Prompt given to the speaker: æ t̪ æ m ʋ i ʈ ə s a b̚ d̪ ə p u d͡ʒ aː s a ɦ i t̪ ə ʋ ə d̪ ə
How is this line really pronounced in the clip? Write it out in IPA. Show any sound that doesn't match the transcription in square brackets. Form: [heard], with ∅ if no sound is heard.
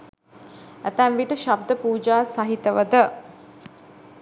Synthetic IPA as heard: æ t̪ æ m ʋ i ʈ ə [ʃ] a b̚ d̪ ə p [uː] d͡ʒ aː s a ɦ i t̪ ə ʋ ə d̪ ə